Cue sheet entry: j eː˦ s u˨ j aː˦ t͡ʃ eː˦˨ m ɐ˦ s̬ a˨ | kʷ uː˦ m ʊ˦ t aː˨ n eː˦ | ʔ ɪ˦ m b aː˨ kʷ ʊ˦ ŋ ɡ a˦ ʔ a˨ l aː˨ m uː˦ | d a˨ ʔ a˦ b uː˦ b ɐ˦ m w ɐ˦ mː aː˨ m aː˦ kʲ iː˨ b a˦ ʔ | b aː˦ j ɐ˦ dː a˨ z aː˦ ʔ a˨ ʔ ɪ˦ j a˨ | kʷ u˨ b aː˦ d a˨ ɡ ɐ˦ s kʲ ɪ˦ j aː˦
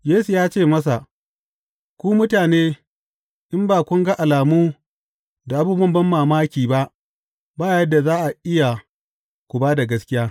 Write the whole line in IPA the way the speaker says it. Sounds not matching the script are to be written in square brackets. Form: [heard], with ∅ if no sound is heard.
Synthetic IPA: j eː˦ s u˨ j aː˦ t͡ʃ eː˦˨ m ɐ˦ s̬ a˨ | kʷ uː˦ m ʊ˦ t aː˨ n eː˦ | ʔ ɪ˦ m b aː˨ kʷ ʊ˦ ŋ ɡ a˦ ʔ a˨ l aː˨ m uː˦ | d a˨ ʔ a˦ b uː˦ b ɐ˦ m [b] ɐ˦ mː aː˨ m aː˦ kʲ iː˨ b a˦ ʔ | b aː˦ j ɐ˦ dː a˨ z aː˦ ʔ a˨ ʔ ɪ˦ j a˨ | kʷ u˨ b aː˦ d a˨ ɡ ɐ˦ s kʲ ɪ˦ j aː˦